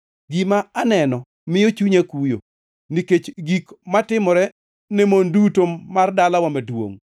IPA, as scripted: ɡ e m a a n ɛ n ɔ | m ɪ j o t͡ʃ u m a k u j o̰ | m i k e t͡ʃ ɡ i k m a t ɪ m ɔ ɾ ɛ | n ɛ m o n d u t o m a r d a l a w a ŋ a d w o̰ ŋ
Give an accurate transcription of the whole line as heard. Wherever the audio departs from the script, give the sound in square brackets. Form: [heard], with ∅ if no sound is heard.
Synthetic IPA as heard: ɡ [i] m a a n ɛ n ɔ | m ɪ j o t͡ʃ u [ɲ] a k u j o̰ | [n] i k e t͡ʃ ɡ i k m a t ɪ m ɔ ɾ ɛ | n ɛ m o n d u t o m a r d a l a w a [m] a d w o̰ ŋ

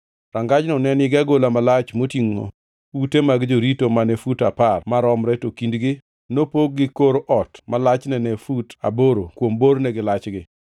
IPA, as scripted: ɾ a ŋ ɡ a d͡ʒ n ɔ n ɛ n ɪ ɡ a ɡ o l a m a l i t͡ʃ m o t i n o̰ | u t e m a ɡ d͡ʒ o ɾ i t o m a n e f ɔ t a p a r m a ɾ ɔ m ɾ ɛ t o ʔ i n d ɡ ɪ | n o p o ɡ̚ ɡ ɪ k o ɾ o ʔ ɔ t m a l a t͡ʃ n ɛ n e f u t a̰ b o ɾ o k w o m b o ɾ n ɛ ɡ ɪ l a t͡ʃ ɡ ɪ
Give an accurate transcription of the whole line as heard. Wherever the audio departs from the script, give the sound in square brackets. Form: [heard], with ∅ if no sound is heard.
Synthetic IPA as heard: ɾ a ŋ ɡ a d͡ʒ n ɔ n ɛ n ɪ ɡ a ɡ o l a m a l [a] t͡ʃ m o t i [ŋ] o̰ | u t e m a ɡ d͡ʒ o ɾ i t o m a n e f [u] t a p a r m a ɾ ɔ m ɾ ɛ t o [k] i n d ɡ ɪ | n o p o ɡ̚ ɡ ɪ k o ɾ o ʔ ɔ t m a l a t͡ʃ n ɛ n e f u t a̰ b o ɾ o k w o m b o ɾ n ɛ ɡ ɪ l a t͡ʃ ɡ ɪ

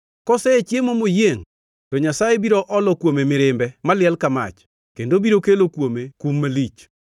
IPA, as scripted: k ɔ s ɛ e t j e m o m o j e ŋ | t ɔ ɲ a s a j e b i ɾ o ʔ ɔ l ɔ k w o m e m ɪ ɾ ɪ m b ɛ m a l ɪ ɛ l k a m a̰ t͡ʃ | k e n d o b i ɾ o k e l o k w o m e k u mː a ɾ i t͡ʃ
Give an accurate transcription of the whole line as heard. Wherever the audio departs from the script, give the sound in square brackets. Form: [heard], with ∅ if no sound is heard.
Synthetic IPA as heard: k ɔ s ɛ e [t͡ʃ] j e m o m o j e ŋ | t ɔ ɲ a s a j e b i ɾ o ʔ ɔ l ɔ k w o m e m ɪ ɾ ɪ m b ɛ m a l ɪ ɛ l k a m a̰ t͡ʃ | k e n d o b i ɾ o k e l o k w o m e k u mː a [l] i t͡ʃ

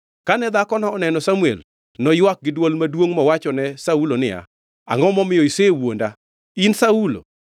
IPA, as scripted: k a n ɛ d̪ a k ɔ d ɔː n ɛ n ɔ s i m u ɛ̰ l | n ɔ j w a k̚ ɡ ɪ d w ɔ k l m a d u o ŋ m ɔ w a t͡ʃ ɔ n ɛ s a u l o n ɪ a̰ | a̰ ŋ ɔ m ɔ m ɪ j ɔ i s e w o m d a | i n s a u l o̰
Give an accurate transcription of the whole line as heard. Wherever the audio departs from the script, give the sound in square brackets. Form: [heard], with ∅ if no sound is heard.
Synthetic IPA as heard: k a n ɛ d̪ a k ɔ [n] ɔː n ɛ n ɔ s [a] m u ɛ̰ l | n ɔ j w a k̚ ɡ ɪ d w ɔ [∅] l m a d [w] o ŋ m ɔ w a t͡ʃ ɔ n ɛ s a u l o n ɪ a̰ | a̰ ŋ ɔ m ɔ m ɪ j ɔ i s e w o [n] d a | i n s a u l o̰

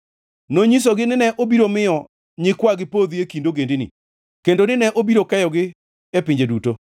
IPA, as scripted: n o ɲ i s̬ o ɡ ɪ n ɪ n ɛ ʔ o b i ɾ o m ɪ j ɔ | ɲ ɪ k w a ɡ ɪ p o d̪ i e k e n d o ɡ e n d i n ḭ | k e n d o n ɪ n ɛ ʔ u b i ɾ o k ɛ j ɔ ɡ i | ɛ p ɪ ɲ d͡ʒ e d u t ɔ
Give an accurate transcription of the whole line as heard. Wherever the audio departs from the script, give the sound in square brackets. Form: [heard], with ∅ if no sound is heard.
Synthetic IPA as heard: n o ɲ i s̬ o ɡ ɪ n ɪ n ɛ ʔ o b i ɾ o m ɪ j ɔ | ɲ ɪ k w a ɡ ɪ p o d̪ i e k [i] n d o ɡ e n d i n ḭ | k e n d o n ɪ n ɛ ʔ [o] b i ɾ o k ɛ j ɔ ɡ [ɪ] | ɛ p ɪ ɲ d͡ʒ e d u t [o]

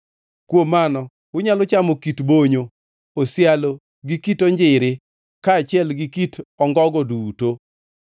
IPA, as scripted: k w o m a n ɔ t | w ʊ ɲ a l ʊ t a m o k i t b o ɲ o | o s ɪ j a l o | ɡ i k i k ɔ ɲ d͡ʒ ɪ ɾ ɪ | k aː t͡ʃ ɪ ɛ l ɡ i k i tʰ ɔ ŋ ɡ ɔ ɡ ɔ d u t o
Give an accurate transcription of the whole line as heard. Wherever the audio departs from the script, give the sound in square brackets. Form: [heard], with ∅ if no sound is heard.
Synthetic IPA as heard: k w o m a n ɔ [∅] | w ʊ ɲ a l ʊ [t͡ʃ] a m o k i t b o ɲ o | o s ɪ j a l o | ɡ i k i [t] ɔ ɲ d͡ʒ ɪ ɾ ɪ | k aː t͡ʃ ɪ ɛ l ɡ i k i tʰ ɔ ŋ ɡ ɔ ɡ ɔ d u t o

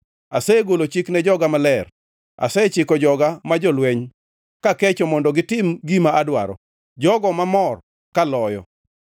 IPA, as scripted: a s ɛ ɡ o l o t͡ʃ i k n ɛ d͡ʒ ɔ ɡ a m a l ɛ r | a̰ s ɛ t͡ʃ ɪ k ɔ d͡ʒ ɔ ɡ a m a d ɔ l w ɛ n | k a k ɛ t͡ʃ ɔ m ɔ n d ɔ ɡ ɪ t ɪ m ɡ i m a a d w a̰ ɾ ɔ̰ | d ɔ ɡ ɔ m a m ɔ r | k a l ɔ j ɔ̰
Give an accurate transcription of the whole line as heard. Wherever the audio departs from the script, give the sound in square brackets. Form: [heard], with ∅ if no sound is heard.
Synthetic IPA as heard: a s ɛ ɡ o l o t͡ʃ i k n ɛ d͡ʒ ɔ ɡ a m a l ɛ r | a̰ s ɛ t͡ʃ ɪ k ɔ d͡ʒ ɔ ɡ a m a [d͡ʒ] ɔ l w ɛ [ɲ] | k a k ɛ t͡ʃ ɔ m ɔ n d ɔ ɡ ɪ t ɪ m ɡ i m a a d w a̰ ɾ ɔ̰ | [d͡ʒ] ɔ ɡ ɔ m a m ɔ r | k a l ɔ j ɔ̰

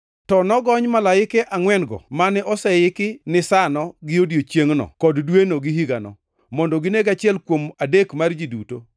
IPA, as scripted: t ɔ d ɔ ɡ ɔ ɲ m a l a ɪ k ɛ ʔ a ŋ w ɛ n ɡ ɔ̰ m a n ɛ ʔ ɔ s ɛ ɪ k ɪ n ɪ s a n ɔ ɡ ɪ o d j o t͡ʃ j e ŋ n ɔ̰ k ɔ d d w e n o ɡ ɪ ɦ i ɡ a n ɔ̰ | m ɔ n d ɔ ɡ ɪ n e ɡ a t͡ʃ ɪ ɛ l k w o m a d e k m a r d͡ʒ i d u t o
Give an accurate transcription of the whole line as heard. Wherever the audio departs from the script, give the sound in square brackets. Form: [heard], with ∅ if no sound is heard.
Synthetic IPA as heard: t ɔ [n] ɔ ɡ ɔ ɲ m a l a ɪ k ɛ ʔ a ŋ w ɛ n ɡ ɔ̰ m a n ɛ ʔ ɔ s ɛ ɪ k ɪ n ɪ s a n ɔ ɡ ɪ o d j o t͡ʃ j e ŋ n ɔ̰ k ɔ d d w e n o ɡ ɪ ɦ i ɡ a n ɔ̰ | m ɔ n d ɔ ɡ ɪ n e ɡ a t͡ʃ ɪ ɛ l k w o m a d e k m a r d͡ʒ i d u t o

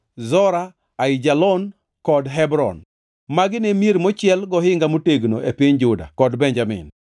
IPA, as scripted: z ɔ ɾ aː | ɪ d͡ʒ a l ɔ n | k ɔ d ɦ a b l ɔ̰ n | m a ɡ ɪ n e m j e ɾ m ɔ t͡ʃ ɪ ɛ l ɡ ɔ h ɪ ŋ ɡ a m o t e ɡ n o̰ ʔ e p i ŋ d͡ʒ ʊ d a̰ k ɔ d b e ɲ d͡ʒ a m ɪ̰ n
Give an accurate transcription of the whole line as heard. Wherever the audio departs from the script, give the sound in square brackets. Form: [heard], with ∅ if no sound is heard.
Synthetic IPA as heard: z ɔ ɾ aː | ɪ d͡ʒ a l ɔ n | k ɔ d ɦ [ɛ] b [ɾ] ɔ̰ n | m a ɡ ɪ n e m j e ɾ m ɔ t͡ʃ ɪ ɛ l ɡ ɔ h ɪ ŋ ɡ a m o t e ɡ n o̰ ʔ e p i [ɲ] d͡ʒ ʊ d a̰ k ɔ d b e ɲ d͡ʒ a m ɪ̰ n

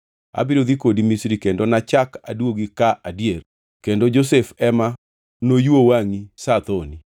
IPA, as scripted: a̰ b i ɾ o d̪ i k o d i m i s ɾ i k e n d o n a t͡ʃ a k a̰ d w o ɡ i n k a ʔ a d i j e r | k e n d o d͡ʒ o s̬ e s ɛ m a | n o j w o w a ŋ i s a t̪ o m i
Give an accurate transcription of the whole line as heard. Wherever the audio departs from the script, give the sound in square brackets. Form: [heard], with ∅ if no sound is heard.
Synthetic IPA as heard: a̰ b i ɾ o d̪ i k o d i m i s ɾ i k e n d o n a t͡ʃ a k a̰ d w o ɡ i [∅] k a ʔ a d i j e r | k e n d o d͡ʒ o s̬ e [f] ɛ m a | n o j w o w a ŋ i s a t̪ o [n] i

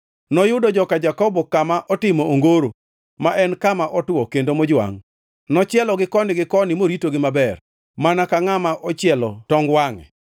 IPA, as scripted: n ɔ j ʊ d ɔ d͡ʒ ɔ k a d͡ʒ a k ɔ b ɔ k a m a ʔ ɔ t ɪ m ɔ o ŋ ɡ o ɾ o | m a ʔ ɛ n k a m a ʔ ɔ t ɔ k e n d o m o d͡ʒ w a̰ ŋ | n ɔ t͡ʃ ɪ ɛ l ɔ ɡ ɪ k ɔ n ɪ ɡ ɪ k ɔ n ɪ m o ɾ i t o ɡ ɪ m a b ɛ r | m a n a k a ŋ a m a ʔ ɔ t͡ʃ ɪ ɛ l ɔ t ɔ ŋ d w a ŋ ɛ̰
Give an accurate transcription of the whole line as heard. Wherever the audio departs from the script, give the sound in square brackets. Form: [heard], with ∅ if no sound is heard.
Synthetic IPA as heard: n ɔ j ʊ d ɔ d͡ʒ ɔ k a d͡ʒ a k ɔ b ɔ k a m a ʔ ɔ t ɪ m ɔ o ŋ ɡ o ɾ o | m a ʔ ɛ n k a m a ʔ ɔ t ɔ k e n d o m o d͡ʒ w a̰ ŋ | n ɔ t͡ʃ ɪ ɛ l ɔ ɡ ɪ k ɔ n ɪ ɡ ɪ k ɔ n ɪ m o ɾ i t o ɡ ɪ m a b ɛ r | m a n a k a ŋ a m a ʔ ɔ t͡ʃ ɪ ɛ l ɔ t ɔ ŋ [ɡ] w a ŋ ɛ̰

